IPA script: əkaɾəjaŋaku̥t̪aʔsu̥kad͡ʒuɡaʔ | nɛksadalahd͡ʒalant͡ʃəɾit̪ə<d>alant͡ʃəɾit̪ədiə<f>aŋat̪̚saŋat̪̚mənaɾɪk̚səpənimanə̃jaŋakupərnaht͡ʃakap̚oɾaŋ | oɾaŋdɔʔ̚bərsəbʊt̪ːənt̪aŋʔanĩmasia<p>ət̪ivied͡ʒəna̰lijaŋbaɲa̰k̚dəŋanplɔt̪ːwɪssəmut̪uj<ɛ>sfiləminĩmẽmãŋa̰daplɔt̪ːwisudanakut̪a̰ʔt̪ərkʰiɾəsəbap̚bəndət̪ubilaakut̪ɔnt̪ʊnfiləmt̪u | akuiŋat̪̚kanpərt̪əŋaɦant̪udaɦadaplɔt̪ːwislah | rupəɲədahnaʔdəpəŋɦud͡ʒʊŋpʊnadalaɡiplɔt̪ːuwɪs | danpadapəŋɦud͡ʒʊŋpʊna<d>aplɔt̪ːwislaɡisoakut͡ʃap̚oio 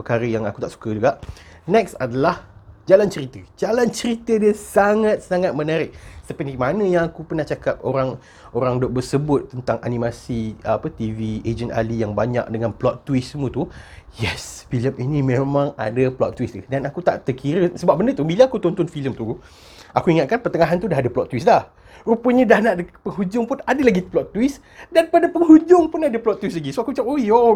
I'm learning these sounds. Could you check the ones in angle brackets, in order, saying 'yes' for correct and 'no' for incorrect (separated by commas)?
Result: no, no, yes, yes, yes